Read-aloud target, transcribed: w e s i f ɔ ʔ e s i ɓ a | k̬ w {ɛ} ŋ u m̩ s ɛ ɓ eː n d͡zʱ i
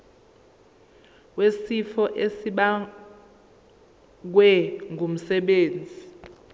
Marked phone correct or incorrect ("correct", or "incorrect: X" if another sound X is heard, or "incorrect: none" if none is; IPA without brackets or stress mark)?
correct